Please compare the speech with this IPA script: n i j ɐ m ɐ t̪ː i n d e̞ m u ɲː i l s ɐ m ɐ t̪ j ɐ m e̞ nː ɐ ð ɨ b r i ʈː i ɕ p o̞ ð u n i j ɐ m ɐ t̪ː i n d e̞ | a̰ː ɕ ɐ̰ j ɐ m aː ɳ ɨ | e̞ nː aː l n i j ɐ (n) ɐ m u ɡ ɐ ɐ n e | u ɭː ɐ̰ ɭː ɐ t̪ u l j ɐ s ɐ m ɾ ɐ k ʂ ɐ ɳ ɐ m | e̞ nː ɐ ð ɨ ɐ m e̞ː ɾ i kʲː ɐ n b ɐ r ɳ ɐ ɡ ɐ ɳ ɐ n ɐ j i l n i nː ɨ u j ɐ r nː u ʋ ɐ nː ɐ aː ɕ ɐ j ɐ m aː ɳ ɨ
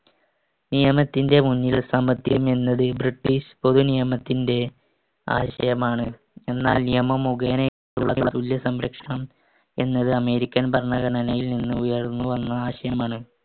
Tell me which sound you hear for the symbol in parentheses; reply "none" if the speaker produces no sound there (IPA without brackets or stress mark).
m